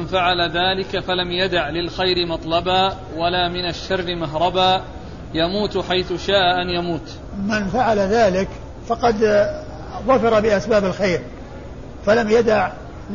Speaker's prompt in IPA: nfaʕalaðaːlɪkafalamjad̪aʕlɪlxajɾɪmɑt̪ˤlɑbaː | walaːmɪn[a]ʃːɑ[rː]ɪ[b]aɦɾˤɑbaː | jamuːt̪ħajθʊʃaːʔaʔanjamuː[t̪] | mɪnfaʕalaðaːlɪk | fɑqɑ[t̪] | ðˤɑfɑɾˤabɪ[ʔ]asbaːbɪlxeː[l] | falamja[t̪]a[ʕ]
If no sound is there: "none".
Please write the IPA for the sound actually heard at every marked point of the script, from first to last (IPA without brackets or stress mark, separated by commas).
a, rː, m, t̪, d̪, ʔ, ɾ, d̪, ʕ